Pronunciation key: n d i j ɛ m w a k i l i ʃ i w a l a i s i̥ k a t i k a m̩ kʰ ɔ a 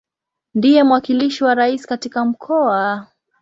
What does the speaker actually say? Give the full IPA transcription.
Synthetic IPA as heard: n d i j ɛ m w a k i l i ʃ i w a ɾ a i s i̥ k a t i k a m̩ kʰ ɔ a